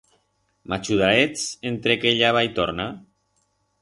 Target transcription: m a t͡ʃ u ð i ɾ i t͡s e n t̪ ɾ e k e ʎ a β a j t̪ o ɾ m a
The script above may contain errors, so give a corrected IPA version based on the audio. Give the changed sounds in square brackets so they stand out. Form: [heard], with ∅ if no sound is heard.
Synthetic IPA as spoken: m a t͡ʃ u ð [a] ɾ [e] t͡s e n t̪ ɾ e k e ʎ a β a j t̪ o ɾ [n] a